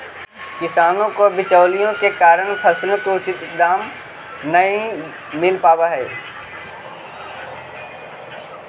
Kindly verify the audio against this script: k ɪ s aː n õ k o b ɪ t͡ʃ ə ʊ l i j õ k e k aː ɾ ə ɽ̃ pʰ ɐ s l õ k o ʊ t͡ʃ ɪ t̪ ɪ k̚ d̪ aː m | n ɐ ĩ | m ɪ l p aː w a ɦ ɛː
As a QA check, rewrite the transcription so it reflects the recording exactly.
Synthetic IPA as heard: k ɪ s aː n õ k o b ɪ t͡ʃ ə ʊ l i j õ k e k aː ɾ ə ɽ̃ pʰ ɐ s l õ k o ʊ t͡ʃ ɪ t̪ ɪ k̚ d̪ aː m | n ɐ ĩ | m ɪ l p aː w a ɦ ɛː